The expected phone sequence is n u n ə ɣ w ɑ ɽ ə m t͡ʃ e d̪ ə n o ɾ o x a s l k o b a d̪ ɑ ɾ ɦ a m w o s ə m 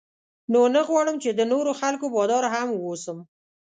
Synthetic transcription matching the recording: n o n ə ɣ w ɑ ɽ ə m t͡ʃ e d̪ ə n o ɾ o x a l k o b ɑ d̪ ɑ ɾ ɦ a m w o s ə m